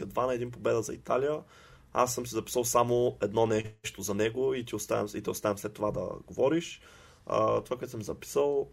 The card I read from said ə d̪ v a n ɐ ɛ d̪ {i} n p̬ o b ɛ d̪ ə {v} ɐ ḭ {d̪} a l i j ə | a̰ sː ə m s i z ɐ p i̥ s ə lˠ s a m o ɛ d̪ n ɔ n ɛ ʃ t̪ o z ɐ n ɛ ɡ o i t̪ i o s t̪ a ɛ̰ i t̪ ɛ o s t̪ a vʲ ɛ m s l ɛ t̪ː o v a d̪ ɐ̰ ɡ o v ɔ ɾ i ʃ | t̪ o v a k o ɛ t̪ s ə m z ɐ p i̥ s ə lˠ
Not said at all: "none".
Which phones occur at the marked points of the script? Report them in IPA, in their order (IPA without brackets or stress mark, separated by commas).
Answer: i, z, t̪